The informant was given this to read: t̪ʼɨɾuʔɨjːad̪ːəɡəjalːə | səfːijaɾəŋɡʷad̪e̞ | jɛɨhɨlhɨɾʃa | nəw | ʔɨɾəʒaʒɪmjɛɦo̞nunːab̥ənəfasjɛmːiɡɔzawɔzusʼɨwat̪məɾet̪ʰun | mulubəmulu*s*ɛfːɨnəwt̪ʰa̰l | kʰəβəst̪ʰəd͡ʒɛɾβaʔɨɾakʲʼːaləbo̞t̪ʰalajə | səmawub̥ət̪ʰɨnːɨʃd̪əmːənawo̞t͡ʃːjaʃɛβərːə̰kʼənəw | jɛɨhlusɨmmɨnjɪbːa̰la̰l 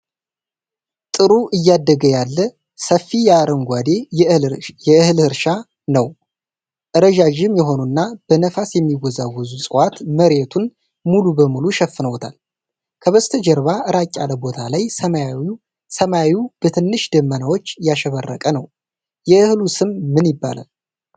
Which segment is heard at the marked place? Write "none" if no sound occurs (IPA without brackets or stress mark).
ʃ